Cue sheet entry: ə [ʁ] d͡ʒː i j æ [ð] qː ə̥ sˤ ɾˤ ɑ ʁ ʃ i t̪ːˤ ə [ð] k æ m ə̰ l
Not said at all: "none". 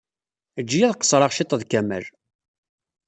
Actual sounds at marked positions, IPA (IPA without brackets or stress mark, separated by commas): none, ð, ð